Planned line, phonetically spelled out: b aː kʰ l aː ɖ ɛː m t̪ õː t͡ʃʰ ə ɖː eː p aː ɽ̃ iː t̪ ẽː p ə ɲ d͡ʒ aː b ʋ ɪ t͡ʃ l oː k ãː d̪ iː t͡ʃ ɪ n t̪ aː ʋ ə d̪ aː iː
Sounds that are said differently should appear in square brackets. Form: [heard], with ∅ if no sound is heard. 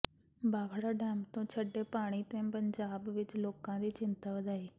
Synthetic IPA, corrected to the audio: b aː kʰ [ɽ] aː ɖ ɛː m t̪ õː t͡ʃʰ ə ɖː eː p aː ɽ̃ iː t̪ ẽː p ə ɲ d͡ʒ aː b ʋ ɪ t͡ʃ l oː k ãː d̪ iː t͡ʃ ɪ n t̪ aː ʋ ə d̪ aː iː